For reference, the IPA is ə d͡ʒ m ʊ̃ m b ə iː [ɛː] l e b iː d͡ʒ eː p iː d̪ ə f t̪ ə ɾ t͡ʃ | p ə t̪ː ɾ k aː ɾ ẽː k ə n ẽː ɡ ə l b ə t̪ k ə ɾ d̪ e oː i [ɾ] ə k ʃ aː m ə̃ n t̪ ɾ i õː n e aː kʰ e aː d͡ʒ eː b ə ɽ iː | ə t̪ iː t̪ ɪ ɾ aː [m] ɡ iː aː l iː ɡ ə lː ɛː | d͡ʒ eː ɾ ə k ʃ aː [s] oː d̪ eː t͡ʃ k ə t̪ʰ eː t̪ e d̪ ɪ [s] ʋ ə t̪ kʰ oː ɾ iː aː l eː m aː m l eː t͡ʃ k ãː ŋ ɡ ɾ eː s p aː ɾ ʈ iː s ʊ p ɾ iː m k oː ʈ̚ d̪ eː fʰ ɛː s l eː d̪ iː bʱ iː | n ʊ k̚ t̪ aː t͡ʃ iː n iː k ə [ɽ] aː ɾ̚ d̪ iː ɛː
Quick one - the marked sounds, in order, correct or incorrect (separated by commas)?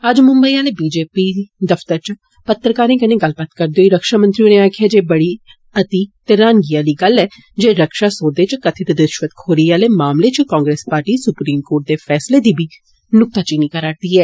incorrect, correct, incorrect, correct, incorrect, incorrect